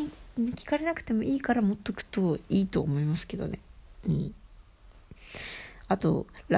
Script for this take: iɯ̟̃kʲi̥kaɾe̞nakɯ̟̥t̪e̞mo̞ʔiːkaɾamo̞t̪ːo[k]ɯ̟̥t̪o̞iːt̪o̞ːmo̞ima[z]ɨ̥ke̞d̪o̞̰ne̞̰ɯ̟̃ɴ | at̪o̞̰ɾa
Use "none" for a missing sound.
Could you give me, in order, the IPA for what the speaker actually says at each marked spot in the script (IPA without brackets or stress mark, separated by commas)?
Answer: k, s